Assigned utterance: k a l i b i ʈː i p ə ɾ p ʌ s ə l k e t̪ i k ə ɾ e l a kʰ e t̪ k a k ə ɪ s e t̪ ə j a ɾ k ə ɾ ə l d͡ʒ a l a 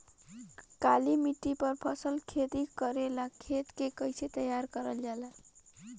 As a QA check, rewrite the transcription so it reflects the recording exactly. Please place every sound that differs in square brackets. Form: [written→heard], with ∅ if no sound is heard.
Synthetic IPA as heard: k a l i [b→m] i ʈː i p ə ɾ [p→pʰ] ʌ s ə l [k→kʰ] e t̪ i k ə ɾ e l a kʰ e t̪ k [a→e] k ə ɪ s e t̪ ə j a ɾ k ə ɾ ə l d͡ʒ a l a